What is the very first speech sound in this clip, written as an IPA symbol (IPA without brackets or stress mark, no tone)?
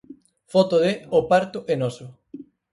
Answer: f